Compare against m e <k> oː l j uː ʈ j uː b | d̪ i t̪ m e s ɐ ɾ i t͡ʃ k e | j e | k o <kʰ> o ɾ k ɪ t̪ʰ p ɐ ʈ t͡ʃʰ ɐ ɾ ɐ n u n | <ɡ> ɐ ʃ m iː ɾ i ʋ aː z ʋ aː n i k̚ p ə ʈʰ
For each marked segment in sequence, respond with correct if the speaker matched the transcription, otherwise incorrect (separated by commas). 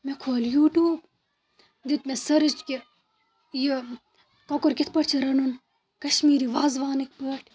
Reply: incorrect, incorrect, incorrect